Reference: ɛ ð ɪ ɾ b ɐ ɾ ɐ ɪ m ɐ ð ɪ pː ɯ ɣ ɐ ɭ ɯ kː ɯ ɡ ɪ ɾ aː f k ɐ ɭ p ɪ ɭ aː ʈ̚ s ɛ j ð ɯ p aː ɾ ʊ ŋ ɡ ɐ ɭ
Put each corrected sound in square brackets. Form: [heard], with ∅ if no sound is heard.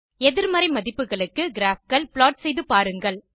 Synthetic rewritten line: ɛ ð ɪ ɾ [m] ɐ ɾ ɐ ɪ m ɐ ð ɪ pː ɯ ɣ ɐ ɭ ɯ kː ɯ ɡ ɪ ɾ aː f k ɐ ɭ p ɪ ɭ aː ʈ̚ s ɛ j ð ɯ p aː ɾ [ɯ] ŋ ɡ ɐ ɭ